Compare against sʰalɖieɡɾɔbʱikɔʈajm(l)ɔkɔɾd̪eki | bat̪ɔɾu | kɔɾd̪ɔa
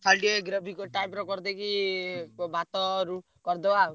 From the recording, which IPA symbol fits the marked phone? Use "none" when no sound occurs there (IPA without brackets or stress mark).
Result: ɾ